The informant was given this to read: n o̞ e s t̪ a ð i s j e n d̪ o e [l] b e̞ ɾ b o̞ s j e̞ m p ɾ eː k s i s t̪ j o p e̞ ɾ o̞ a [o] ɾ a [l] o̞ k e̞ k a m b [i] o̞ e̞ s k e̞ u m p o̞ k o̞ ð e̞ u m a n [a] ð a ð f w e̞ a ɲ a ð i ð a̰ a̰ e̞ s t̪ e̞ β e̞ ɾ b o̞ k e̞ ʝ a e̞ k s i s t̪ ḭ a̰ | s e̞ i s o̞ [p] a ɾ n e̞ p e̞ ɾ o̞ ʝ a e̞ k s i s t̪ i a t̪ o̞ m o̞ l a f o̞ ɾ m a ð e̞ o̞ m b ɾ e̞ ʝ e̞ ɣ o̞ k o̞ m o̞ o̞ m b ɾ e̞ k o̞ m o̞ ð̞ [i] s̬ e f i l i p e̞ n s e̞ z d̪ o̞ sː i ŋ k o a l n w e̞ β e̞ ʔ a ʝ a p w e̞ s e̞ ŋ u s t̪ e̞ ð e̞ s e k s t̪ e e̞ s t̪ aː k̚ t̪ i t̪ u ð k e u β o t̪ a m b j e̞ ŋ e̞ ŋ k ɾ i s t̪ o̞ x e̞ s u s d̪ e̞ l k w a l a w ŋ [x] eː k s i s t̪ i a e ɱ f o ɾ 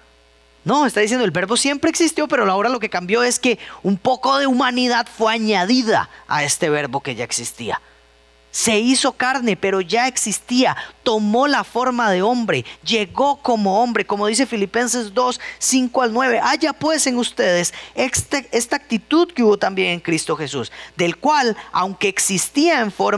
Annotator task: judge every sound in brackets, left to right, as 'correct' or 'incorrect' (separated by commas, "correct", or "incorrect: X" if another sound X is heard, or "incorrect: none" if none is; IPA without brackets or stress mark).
correct, correct, correct, incorrect: j, incorrect: i, incorrect: k, correct, incorrect: k